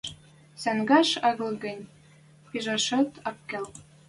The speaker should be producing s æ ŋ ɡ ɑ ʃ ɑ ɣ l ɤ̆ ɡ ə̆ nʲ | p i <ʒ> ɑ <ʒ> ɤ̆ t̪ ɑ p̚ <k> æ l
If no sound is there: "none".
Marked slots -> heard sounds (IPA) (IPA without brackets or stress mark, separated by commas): ʒ, ʃ, k